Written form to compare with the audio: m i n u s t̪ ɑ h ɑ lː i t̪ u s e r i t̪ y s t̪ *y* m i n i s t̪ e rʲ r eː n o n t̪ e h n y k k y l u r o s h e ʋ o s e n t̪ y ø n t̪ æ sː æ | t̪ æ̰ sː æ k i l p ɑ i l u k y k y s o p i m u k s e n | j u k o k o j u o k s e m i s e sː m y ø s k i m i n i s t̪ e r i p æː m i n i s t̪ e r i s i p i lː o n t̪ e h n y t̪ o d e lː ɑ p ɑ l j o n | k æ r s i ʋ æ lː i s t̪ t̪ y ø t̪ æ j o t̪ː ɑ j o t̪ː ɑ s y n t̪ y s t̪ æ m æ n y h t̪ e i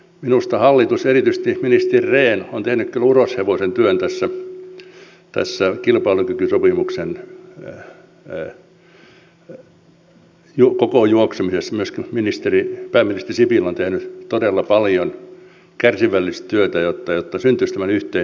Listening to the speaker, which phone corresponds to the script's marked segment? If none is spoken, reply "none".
i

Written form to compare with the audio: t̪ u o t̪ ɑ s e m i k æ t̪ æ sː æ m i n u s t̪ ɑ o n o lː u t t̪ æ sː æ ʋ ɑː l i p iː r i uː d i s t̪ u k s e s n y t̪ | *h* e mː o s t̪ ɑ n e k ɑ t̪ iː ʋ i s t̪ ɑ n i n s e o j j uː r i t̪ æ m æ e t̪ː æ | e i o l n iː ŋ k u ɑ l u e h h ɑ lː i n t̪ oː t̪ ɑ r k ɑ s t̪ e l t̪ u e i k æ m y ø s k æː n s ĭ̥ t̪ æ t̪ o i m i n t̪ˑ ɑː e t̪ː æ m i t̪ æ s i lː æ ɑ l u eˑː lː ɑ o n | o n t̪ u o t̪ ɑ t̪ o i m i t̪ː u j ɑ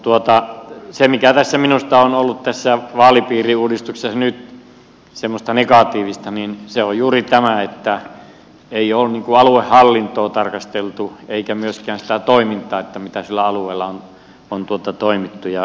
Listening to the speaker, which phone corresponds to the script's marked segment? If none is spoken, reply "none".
s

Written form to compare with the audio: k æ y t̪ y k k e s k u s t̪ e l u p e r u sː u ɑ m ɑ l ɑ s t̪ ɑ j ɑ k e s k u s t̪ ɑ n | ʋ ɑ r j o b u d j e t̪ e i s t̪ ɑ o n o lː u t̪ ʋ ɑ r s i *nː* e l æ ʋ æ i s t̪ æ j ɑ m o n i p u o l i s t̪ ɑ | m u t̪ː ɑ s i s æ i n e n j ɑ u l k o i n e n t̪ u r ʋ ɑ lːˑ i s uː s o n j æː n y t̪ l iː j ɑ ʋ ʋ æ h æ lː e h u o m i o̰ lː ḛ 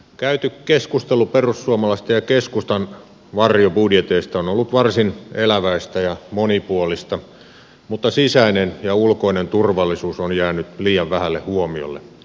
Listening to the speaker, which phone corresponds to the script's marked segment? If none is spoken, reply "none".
n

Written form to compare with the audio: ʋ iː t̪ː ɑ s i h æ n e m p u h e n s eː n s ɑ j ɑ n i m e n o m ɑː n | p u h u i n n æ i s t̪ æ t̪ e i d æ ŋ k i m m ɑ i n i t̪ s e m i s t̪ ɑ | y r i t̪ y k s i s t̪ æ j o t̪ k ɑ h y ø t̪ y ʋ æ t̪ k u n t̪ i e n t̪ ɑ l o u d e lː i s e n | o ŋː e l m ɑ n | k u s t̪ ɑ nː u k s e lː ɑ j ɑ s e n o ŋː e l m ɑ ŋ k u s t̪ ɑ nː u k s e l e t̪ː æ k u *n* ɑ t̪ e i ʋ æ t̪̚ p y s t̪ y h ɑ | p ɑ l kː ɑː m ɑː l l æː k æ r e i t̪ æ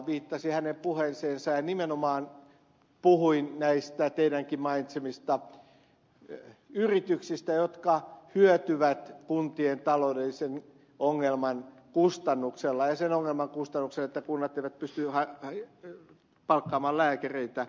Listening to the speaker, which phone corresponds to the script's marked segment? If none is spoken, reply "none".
nː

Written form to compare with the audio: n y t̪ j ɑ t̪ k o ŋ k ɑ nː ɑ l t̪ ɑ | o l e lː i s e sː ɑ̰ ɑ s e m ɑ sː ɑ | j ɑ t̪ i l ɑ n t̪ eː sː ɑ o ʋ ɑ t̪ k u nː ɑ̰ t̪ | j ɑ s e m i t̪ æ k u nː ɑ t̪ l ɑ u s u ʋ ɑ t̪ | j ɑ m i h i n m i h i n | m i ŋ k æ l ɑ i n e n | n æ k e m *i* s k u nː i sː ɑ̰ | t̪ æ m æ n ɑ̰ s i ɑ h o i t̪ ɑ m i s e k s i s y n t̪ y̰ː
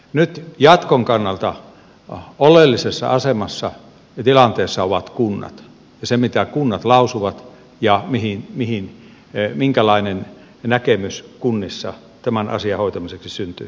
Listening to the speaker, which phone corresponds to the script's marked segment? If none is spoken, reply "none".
y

